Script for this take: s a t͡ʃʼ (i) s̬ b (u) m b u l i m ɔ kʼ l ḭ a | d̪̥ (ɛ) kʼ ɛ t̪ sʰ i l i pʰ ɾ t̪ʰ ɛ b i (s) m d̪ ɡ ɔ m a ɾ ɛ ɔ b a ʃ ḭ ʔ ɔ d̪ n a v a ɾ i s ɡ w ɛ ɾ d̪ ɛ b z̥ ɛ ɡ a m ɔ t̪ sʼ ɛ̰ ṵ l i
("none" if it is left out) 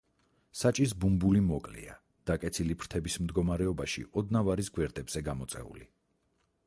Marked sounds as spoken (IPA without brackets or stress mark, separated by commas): i, u, a, s